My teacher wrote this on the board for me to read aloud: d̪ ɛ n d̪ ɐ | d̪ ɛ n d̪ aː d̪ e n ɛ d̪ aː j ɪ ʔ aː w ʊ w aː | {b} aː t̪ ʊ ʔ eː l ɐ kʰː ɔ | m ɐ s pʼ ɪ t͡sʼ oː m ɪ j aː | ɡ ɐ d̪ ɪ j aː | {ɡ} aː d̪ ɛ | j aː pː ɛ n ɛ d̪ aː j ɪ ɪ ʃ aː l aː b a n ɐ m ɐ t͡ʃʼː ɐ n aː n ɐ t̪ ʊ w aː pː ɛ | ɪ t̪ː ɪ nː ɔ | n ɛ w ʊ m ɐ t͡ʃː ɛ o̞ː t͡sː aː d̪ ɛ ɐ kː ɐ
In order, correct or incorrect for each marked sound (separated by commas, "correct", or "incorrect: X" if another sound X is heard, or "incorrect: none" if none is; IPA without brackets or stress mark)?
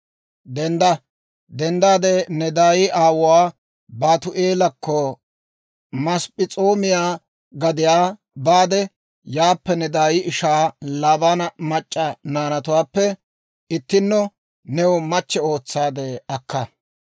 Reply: correct, incorrect: b